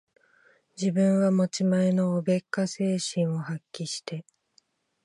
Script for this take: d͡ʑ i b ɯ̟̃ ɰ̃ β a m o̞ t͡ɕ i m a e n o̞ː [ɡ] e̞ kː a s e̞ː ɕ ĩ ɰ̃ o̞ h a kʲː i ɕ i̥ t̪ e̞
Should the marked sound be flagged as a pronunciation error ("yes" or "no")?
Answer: yes